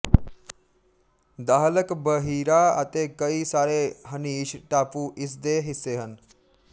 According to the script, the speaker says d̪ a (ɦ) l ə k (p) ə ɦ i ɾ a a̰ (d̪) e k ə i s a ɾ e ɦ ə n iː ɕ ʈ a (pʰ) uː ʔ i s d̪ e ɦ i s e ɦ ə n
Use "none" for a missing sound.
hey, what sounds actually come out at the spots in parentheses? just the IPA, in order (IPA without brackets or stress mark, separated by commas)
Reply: ɦ, b, t̪, p